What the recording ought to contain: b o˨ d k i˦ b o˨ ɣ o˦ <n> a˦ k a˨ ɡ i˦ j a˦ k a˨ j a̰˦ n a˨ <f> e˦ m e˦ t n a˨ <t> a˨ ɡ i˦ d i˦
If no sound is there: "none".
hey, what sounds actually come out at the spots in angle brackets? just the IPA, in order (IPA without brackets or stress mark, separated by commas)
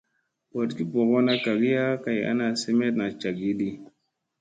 n, s, t͡ʃ